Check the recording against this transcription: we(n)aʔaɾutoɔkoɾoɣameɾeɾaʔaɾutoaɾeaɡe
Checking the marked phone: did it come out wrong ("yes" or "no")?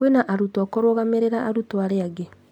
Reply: no